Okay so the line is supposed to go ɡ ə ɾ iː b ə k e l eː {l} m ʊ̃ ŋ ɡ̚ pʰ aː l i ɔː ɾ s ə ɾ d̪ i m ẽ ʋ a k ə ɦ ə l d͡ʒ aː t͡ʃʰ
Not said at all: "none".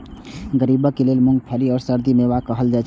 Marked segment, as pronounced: l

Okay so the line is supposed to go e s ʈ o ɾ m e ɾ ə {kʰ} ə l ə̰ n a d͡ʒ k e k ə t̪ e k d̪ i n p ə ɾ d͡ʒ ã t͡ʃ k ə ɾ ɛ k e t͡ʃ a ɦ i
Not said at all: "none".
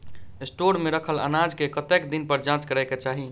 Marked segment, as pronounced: kʰ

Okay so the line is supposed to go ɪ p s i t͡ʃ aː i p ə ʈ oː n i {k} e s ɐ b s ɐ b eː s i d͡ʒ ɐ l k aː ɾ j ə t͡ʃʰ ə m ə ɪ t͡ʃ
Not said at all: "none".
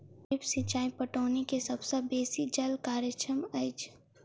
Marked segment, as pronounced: k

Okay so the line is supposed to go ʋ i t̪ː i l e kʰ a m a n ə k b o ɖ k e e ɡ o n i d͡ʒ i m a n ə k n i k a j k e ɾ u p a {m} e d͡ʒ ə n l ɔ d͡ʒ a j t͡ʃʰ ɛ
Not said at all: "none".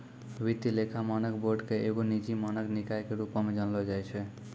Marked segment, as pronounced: m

